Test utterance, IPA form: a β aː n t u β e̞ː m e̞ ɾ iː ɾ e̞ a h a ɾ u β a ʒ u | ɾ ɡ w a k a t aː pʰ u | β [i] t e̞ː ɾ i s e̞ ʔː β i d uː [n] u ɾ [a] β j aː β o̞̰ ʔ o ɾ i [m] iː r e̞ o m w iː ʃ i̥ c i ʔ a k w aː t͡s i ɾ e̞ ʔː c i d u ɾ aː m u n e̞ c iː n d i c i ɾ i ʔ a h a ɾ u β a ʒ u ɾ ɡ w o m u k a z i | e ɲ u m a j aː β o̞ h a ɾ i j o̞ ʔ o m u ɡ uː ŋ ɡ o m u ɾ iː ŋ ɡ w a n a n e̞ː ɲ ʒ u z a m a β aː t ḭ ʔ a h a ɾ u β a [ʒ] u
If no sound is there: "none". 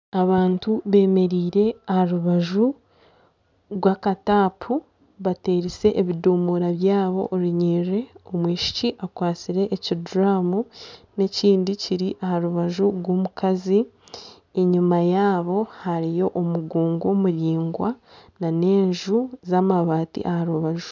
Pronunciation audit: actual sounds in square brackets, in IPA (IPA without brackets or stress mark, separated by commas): a, m, a, ɲ, ʒ